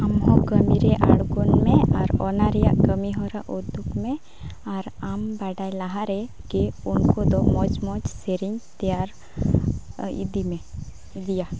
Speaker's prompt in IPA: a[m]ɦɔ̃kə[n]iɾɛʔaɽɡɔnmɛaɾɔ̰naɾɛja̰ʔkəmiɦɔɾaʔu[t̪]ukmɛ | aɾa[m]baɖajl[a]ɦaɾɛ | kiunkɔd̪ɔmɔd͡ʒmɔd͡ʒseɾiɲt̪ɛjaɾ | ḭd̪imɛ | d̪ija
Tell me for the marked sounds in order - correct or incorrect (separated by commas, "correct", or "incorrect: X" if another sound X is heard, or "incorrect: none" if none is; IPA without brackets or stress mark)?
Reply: correct, incorrect: m, incorrect: d̪, correct, correct